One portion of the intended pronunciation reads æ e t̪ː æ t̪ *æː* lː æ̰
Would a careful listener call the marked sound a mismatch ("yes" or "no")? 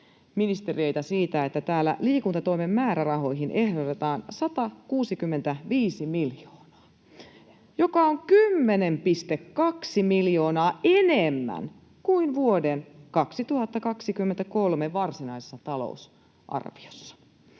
no